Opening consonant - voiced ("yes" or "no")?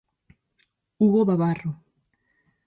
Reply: yes